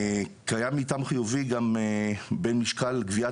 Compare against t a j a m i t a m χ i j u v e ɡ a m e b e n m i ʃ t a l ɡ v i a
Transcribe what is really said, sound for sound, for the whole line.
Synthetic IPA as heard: k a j a m i t a m χ i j u v i ɡ a m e b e n m i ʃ k a l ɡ v i a